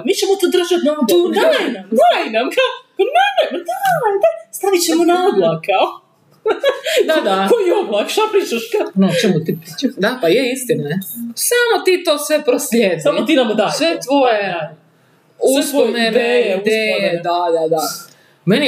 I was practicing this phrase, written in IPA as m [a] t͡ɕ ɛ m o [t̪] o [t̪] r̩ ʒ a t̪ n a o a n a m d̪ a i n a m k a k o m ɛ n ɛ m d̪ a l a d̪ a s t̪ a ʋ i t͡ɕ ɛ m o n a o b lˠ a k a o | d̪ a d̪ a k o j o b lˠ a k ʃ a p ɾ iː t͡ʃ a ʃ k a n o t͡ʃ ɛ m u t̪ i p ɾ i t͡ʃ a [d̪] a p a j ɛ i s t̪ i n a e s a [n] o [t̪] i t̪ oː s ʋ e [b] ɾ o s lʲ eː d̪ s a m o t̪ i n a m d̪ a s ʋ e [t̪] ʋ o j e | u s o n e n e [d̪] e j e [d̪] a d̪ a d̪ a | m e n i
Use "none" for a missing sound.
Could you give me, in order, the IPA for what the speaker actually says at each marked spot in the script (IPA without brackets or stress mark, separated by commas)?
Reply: i, t̪, d̪, d̪, m, t̪, p, t̪, d̪, d̪